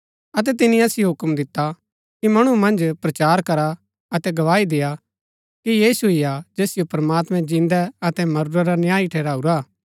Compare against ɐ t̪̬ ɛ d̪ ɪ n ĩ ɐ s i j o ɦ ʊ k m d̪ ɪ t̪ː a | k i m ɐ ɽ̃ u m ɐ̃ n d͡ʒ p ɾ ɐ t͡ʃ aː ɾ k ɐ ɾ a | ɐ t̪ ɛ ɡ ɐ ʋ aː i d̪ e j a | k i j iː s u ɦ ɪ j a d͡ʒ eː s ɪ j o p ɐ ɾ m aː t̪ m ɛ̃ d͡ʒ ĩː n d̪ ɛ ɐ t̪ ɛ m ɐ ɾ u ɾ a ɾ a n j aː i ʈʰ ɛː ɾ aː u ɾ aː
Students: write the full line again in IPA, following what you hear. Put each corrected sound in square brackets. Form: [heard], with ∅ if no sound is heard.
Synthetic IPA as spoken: ɐ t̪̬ ɛ [t̪] ɪ n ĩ ɐ s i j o ɦ ʊ k m d̪ ɪ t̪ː a | k i m ɐ ɽ̃ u m ɐ̃ n d͡ʒ p ɾ ɐ t͡ʃ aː ɾ k ɐ ɾ a | ɐ t̪ ɛ ɡ ɐ ʋ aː i d̪ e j a | k i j iː s u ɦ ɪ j a d͡ʒ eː s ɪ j o p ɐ ɾ m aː t̪ m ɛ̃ d͡ʒ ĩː n d̪ ɛ ɐ t̪ ɛ m ɐ ɾ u ɾ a ɾ a n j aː i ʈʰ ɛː ɾ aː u ɾ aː